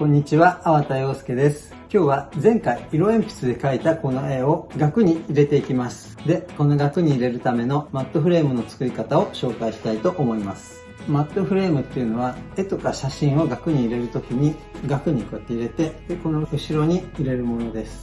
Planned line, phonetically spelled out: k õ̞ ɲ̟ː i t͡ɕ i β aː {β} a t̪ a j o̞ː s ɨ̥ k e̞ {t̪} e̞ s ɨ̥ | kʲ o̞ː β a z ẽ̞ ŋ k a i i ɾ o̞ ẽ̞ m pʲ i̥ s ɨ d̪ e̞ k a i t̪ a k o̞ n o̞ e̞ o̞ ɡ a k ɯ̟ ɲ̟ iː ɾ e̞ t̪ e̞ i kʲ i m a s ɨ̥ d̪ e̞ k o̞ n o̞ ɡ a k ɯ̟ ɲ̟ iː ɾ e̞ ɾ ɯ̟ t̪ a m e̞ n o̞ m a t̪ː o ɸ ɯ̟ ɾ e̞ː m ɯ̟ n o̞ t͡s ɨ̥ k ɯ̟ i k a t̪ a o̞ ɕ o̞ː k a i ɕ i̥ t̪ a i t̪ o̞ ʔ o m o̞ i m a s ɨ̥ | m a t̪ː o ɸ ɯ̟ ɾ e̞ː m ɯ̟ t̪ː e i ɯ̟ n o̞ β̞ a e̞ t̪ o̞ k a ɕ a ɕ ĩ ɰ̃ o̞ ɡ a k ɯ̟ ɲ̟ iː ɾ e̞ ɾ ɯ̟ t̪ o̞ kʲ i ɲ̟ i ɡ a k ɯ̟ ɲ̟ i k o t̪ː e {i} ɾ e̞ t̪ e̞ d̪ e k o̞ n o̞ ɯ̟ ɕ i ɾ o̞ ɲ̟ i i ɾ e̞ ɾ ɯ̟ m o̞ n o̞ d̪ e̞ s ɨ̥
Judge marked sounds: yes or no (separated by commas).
yes, no, yes